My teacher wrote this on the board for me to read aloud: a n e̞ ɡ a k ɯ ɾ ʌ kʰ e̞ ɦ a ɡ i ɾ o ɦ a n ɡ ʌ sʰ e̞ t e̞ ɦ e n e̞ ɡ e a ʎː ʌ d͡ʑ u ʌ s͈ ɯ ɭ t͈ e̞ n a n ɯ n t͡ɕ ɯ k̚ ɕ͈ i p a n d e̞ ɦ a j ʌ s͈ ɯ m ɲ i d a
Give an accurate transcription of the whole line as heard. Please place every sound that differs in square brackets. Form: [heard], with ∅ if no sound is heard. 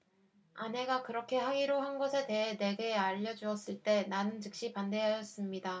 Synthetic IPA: a n e̞ ɡ a k ɯ ɾ ʌ kʰ e̞ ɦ a ɡ i ɾ o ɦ a n ɡ ʌ sʰ e̞ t e̞ ɦ e n e̞ ɡ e a ʎː ʌ d͡ʑ u ʌ s͈ ɯ ɭ t͈ e̞ n a n ɯ n t͡ɕ ɯ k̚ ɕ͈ i p a n d e̞ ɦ a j ʌ s͈ ɯ m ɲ i d a